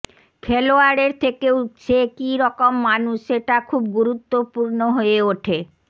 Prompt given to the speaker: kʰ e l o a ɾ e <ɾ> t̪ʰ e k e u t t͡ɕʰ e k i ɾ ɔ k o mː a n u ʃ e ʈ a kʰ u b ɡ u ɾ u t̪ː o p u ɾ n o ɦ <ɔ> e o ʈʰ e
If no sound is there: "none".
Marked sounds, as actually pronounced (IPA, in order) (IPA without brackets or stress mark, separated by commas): ɾ, o